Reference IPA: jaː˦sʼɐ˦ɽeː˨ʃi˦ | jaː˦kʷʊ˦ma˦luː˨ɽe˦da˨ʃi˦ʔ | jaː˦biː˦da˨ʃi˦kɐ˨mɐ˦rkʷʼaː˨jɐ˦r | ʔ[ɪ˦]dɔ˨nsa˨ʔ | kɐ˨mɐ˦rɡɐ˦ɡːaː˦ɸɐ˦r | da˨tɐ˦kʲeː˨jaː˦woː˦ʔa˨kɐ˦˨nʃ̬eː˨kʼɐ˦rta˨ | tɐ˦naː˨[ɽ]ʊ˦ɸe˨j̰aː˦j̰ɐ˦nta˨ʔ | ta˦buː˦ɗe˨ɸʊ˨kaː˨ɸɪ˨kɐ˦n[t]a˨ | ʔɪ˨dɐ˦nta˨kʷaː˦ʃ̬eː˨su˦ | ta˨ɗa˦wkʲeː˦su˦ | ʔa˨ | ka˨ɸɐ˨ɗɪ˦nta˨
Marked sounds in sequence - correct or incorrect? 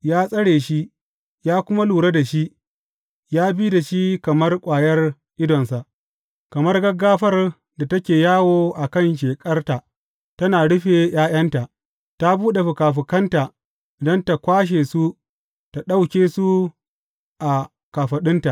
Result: correct, correct, correct

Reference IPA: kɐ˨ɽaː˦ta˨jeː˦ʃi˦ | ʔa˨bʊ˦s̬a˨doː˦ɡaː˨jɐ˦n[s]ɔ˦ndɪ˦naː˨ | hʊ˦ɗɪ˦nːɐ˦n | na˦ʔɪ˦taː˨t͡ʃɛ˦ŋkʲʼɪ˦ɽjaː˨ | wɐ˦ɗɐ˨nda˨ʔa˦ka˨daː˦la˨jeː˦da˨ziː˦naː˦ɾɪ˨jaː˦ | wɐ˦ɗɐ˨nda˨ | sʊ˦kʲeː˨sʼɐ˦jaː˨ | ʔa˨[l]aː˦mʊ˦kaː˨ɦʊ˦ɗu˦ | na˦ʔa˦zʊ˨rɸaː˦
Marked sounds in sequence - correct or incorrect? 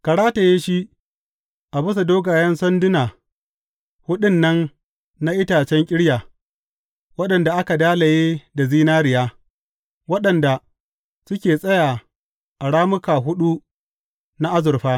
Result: correct, incorrect

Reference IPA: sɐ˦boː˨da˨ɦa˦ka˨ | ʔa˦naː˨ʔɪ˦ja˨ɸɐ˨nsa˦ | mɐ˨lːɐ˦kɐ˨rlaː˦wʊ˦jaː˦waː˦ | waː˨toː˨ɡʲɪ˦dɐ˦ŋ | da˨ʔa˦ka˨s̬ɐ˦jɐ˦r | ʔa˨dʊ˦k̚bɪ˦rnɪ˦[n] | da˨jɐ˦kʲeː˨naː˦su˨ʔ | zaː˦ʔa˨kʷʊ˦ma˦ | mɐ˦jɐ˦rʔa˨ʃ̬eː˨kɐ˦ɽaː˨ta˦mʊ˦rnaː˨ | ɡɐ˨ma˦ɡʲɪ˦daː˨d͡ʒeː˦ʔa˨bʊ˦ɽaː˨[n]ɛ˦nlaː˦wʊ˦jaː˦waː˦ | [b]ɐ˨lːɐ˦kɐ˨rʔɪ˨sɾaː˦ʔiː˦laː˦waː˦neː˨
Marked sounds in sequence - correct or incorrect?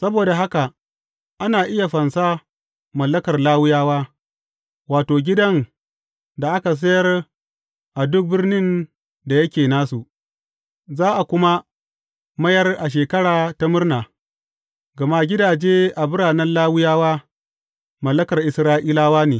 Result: correct, correct, incorrect

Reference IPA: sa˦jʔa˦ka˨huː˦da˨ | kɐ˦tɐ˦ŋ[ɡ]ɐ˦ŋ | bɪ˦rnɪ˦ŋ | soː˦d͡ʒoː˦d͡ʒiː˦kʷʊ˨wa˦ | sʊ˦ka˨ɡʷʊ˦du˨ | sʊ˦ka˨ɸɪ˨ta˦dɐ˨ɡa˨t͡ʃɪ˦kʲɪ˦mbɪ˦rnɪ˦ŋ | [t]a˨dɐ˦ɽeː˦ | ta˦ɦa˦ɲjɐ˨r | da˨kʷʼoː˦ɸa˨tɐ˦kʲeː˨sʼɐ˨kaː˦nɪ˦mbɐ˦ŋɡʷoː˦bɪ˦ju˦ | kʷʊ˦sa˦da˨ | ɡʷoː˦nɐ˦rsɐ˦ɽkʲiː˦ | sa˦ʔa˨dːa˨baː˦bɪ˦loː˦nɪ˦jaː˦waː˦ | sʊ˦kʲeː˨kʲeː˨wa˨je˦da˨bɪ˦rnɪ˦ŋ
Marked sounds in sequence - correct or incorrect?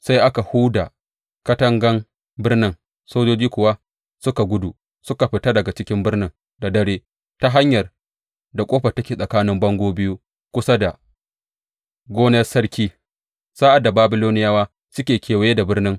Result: correct, incorrect

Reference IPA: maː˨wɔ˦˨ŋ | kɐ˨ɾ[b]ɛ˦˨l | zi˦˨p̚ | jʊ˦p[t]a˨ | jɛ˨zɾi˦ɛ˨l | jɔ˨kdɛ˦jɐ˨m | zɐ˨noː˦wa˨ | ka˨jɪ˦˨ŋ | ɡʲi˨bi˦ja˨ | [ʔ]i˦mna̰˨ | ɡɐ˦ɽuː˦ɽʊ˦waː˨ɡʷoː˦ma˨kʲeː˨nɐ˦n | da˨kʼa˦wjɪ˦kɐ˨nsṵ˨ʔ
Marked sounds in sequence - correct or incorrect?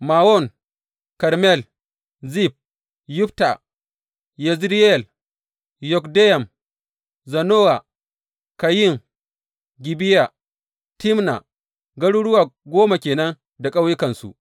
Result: incorrect, correct, incorrect

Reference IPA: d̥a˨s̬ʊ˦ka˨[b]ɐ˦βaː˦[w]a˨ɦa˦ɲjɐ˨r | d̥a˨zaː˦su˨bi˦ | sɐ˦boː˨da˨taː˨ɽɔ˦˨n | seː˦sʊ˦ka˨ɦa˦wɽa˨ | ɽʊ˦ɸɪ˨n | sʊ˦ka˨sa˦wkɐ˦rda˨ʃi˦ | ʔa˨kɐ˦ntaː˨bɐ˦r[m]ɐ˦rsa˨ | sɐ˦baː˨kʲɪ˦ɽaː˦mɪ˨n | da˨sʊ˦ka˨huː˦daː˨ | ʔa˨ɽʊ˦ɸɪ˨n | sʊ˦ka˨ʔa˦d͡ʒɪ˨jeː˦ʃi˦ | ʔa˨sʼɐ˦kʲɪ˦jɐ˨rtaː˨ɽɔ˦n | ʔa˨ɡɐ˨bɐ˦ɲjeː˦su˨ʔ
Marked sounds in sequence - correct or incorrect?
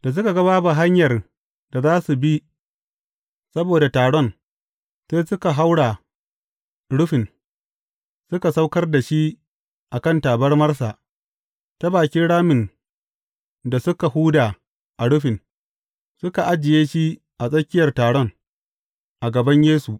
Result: incorrect, incorrect, correct

